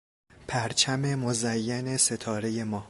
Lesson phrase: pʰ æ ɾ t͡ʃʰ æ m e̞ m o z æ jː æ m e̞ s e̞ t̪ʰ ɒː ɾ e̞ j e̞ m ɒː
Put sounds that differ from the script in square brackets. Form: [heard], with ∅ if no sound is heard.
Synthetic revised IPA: pʰ æ ɾ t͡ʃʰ æ m e̞ m o z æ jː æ [n] e̞ s e̞ t̪ʰ ɒː ɾ e̞ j e̞ m ɒː